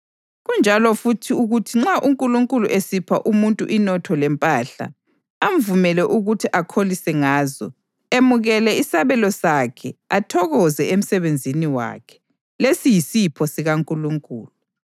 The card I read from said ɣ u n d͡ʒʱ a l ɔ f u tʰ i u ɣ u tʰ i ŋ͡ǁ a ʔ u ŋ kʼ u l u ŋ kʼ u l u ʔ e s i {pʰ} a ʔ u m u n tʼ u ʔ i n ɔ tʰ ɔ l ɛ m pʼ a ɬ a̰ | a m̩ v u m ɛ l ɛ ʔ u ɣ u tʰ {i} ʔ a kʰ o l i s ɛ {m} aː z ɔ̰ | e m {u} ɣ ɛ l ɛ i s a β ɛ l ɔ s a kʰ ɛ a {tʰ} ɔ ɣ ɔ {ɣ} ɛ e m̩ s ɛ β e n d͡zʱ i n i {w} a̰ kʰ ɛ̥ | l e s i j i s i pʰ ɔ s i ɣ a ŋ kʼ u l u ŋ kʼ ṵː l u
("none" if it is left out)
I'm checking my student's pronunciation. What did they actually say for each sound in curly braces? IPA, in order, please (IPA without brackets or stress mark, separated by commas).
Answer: pʰ, i, ŋ, u, tʰ, z, w